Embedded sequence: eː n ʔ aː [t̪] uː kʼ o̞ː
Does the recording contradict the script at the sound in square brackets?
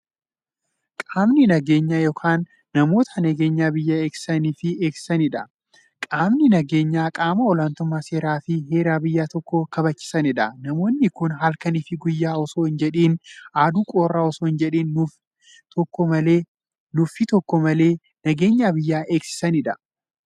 yes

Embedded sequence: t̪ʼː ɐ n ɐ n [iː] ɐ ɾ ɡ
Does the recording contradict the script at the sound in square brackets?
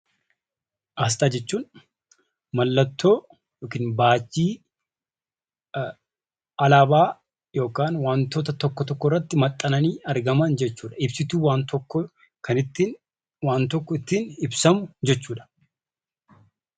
no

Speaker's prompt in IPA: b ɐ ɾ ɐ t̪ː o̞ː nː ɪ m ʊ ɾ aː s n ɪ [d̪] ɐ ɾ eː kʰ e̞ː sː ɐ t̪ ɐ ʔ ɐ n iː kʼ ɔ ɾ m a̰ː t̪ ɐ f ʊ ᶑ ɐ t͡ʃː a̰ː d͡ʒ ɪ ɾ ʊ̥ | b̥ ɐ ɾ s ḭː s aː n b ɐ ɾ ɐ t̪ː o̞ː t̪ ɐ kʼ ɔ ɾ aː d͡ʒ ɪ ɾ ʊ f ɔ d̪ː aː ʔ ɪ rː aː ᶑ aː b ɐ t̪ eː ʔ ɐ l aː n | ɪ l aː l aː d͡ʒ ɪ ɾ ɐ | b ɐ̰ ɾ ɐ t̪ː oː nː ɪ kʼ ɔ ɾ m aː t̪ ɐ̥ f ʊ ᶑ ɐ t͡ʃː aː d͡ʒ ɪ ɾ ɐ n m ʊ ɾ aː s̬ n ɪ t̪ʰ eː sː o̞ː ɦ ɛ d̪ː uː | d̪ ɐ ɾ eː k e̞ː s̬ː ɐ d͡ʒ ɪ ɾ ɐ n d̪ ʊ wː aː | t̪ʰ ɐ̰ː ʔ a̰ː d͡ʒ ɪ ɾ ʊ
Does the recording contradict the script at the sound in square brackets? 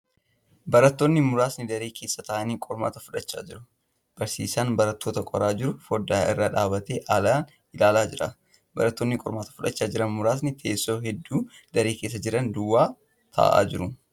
no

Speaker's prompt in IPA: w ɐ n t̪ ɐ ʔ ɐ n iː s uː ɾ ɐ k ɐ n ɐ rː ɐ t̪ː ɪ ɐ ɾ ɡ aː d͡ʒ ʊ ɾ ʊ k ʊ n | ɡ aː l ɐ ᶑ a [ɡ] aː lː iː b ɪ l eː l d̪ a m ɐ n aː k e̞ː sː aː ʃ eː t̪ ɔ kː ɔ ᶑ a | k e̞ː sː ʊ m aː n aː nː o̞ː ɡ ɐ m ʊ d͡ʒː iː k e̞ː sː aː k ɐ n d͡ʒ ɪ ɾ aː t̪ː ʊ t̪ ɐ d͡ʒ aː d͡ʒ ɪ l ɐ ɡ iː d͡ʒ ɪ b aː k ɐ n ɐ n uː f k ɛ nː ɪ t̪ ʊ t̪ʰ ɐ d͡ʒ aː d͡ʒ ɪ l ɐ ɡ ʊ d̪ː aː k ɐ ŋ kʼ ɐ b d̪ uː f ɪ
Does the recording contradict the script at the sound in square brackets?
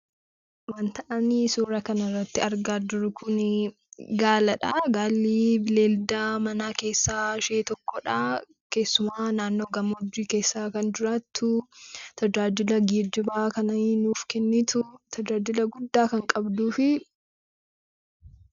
no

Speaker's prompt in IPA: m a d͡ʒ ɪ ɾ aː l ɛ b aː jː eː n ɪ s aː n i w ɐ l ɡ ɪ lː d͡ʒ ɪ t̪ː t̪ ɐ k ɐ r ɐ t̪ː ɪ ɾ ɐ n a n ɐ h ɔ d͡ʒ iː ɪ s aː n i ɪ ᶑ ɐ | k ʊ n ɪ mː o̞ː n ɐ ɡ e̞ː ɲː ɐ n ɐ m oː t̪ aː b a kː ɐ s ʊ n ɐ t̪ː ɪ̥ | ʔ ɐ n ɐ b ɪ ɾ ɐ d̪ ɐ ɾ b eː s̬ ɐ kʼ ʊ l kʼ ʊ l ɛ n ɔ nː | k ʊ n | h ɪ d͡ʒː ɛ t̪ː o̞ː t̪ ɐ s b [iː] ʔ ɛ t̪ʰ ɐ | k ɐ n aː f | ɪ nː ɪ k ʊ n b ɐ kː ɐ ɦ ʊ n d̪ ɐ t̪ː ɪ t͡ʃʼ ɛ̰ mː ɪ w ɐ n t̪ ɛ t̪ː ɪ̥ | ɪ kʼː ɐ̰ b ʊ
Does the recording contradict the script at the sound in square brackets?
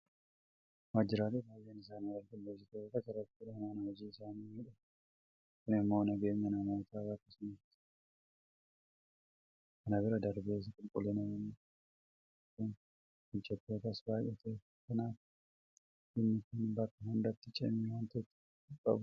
yes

